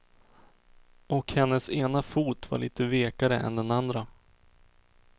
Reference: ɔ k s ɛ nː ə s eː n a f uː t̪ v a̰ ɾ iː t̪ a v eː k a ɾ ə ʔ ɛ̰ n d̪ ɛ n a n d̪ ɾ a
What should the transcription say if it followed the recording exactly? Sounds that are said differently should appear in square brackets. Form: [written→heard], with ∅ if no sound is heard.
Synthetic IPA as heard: ɔ k [s→h] ɛ nː ə s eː n a f uː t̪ v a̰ [ɾ→ɭ] iː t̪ [a→ə] v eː k a ɾ ə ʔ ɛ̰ n d̪ ɛ n a n d̪ ɾ a